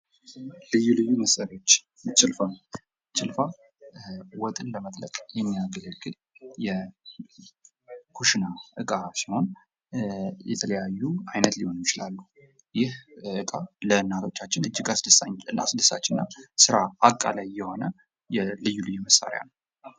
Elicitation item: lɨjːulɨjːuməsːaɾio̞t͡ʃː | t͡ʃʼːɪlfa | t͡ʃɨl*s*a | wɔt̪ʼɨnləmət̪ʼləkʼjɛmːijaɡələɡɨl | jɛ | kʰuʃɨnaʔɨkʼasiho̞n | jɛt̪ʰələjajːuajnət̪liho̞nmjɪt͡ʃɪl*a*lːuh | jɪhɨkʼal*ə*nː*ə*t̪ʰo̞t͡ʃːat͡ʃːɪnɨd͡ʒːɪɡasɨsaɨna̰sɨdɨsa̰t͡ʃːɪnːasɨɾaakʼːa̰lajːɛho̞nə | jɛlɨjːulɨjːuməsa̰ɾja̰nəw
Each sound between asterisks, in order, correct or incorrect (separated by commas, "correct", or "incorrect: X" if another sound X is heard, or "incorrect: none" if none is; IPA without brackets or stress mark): incorrect: f, correct, correct, incorrect: a